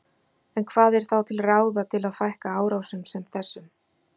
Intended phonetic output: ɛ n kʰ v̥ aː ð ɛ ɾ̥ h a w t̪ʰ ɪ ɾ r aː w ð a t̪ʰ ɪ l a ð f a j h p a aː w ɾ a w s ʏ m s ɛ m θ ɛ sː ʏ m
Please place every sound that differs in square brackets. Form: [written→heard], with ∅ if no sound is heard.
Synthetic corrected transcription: ɛ n kʰ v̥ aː ð ɛ ɾ̥ [h→θ] a w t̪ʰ ɪ [ɾ→l] r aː w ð a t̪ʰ ɪ l a ð f a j h [p→k] a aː w ɾ a w s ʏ m s ɛ m θ ɛ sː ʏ m